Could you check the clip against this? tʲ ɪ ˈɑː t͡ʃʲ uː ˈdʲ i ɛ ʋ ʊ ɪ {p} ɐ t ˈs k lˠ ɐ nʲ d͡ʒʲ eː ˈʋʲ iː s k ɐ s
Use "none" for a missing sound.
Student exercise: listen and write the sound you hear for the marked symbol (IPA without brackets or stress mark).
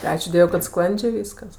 k